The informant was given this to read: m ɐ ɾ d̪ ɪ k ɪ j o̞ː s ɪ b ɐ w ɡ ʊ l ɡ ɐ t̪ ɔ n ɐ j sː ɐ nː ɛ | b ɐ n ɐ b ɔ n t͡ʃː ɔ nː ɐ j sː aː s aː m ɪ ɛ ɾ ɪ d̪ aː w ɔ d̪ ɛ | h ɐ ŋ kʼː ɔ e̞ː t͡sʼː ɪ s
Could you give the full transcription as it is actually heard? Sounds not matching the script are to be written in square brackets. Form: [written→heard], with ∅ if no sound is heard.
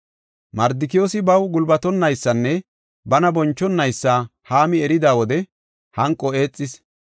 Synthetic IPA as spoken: m ɐ ɾ d̪ ɪ k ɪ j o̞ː s ɪ b ɐ w ɡ ʊ l [ɡ→b] ɐ t̪ ɔ [n→nː] ɐ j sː ɐ nː ɛ | b ɐ n ɐ b ɔ n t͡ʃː ɔ nː ɐ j sː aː [s→h] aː m ɪ ɛ ɾ ɪ d̪ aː w ɔ d̪ ɛ | h ɐ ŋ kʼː ɔ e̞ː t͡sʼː ɪ s